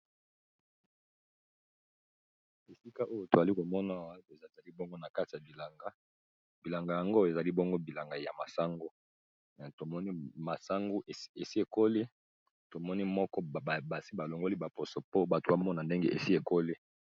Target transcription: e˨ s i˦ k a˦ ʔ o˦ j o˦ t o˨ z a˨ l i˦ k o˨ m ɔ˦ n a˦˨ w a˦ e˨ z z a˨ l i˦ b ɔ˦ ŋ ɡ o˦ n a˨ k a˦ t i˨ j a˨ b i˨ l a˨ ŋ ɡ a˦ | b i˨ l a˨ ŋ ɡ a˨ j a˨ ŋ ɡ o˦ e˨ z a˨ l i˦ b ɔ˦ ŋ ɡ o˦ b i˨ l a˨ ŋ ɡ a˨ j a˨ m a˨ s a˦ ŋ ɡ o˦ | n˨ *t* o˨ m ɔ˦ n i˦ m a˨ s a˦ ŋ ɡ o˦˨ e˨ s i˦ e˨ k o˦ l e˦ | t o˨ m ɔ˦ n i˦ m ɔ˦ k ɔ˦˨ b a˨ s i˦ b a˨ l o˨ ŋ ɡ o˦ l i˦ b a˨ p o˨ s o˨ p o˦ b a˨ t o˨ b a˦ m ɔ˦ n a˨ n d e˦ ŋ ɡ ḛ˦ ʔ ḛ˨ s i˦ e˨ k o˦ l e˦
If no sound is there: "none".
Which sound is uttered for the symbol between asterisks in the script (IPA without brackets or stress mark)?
t